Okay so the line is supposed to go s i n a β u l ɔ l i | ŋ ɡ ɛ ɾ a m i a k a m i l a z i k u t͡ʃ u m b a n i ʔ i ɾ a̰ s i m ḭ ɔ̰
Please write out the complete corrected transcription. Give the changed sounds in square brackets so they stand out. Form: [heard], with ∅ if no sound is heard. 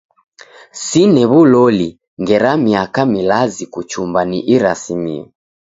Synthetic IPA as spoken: s i n [ɛ] β u l ɔ l i | ŋ ɡ ɛ ɾ a m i a k a m i l a z i k u t͡ʃ u m b a n i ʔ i ɾ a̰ s i m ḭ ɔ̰